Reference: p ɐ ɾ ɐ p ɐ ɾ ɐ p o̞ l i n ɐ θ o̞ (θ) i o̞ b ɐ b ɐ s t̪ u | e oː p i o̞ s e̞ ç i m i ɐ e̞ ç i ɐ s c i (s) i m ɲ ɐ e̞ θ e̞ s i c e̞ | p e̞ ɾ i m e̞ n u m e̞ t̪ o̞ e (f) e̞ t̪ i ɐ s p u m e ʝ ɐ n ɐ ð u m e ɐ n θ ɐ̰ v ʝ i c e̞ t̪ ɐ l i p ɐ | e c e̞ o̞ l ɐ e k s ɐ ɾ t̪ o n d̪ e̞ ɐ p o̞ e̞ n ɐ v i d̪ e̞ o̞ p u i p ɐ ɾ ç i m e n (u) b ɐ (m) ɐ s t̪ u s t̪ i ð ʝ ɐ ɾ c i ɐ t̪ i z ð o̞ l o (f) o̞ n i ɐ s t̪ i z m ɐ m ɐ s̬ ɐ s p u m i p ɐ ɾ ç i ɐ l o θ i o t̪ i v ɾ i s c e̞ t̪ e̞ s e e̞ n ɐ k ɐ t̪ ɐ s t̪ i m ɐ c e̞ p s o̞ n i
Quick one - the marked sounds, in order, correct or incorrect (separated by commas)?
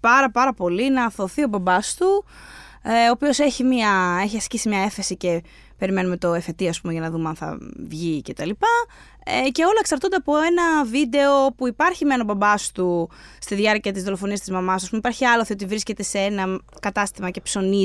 correct, correct, correct, incorrect, incorrect, correct